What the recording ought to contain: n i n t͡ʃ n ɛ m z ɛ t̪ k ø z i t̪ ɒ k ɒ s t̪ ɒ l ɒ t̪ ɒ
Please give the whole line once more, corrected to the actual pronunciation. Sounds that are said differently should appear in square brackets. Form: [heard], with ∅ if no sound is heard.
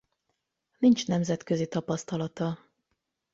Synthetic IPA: n i n t͡ʃ n ɛ m z ɛ t̪ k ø z i t̪ ɒ [p] ɒ s t̪ ɒ l ɒ t̪ ɒ